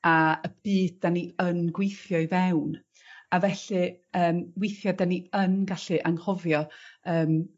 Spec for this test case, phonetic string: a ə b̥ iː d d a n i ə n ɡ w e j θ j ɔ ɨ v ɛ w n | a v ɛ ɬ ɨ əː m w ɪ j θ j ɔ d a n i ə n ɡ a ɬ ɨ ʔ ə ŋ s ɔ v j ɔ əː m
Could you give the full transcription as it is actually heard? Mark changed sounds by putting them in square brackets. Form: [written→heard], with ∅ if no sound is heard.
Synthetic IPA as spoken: a ə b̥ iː d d a n i ə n ɡ w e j θ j ɔ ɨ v ɛ w n | a v ɛ ɬ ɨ əː m w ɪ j θ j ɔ d a n i ə n ɡ a ɬ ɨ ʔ [ə→a] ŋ [s→h] ɔ v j ɔ əː m